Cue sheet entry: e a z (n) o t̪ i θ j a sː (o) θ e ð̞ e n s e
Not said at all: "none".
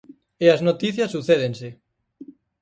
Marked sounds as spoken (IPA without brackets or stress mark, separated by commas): n, u